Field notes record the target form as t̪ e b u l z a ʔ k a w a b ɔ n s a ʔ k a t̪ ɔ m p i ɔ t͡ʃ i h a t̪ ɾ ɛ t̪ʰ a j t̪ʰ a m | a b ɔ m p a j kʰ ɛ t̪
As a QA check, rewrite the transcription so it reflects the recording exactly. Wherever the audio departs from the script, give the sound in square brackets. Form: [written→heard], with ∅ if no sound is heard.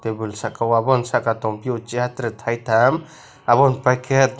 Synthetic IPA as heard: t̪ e b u l [z→s] a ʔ k a w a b ɔ n s a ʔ k a t̪ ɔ m p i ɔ t͡ʃ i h a t̪ ɾ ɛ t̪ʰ a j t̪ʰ a m | a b ɔ [m→n] p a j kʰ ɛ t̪